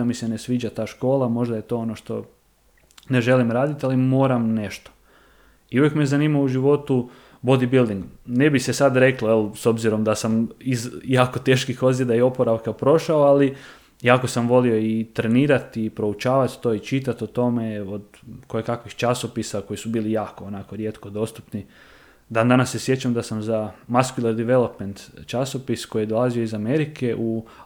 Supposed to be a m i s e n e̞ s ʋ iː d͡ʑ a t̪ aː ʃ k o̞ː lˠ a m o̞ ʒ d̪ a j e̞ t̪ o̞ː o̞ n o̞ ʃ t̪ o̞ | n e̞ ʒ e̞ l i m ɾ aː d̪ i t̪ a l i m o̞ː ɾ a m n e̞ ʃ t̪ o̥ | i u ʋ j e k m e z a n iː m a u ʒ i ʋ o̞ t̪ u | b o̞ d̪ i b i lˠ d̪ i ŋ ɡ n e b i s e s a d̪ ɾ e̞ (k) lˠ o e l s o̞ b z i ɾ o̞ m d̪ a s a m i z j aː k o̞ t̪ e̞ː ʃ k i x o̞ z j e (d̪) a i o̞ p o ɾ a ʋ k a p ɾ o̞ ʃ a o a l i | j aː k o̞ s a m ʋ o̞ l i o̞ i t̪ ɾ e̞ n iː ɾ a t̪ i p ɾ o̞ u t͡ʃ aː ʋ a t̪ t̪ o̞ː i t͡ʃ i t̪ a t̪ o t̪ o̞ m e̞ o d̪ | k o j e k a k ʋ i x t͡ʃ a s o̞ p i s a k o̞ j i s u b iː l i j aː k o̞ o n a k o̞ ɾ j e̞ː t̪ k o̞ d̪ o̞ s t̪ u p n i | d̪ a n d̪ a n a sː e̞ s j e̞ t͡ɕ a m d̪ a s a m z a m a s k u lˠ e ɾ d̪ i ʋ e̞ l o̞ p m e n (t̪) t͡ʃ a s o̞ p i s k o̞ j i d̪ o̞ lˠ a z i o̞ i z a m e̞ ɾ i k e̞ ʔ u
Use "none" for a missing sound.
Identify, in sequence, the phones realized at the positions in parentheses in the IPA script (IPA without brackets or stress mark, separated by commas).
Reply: k, d̪, t̪